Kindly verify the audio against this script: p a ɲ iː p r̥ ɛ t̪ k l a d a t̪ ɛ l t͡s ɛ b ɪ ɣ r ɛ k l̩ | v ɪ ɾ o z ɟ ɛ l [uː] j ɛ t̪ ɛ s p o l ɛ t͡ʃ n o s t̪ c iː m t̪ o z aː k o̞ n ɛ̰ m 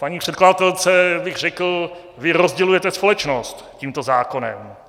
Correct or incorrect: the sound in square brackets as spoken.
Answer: incorrect: u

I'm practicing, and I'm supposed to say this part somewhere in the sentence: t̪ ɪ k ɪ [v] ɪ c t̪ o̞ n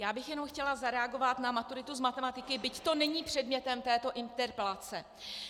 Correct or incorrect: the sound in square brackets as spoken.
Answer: incorrect: b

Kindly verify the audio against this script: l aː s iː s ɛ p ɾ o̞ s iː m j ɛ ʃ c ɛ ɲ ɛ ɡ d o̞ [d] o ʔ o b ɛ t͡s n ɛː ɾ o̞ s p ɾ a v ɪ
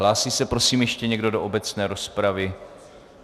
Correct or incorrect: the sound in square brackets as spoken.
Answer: correct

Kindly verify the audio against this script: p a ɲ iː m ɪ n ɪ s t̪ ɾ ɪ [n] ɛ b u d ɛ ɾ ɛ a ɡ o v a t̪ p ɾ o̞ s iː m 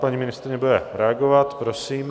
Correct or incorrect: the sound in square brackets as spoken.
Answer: incorrect: ɲ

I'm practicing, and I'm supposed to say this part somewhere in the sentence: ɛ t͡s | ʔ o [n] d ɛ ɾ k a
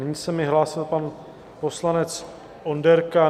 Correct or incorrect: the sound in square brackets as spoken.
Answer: correct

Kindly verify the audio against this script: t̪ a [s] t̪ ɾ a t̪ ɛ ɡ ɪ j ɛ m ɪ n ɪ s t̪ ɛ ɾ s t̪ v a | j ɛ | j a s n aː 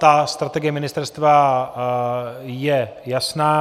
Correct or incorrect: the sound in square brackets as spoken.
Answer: correct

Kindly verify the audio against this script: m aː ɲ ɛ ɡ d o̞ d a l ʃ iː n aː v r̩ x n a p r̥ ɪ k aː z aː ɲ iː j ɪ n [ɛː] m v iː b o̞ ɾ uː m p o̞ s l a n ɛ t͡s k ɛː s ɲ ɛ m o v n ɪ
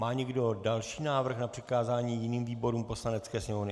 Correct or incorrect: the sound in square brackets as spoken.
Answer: incorrect: iː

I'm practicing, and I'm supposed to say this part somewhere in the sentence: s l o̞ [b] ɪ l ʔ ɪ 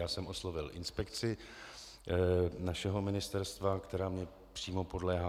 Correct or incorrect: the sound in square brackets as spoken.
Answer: incorrect: v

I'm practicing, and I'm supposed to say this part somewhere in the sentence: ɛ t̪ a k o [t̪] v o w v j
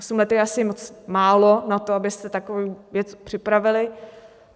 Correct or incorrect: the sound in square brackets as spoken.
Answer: incorrect: none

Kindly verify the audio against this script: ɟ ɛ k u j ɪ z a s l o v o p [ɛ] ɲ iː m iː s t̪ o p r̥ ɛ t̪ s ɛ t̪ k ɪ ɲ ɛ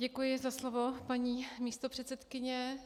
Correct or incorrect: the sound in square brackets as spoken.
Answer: incorrect: a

